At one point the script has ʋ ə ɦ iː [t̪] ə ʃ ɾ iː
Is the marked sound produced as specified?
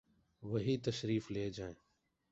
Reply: yes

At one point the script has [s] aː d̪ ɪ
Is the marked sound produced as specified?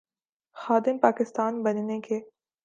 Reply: no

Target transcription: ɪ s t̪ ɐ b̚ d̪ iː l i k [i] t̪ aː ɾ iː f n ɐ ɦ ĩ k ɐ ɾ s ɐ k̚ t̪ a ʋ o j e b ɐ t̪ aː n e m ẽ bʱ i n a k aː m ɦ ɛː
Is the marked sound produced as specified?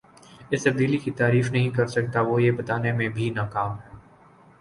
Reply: yes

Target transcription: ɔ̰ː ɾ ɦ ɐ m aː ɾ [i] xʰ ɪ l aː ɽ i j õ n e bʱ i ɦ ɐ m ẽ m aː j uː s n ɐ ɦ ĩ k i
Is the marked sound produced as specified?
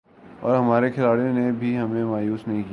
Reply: no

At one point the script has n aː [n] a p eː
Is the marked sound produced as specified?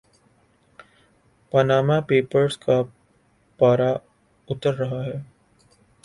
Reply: no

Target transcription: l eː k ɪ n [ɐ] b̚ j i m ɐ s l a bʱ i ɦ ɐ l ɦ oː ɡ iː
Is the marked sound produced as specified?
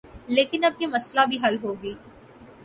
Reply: yes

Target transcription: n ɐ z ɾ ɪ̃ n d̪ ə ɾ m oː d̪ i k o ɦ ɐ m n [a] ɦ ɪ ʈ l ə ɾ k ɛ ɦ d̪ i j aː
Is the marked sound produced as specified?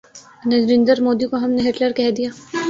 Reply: no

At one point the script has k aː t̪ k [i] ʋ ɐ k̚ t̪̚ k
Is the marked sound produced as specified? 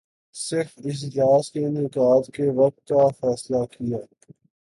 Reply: no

